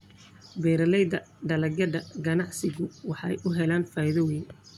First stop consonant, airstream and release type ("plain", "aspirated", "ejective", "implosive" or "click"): plain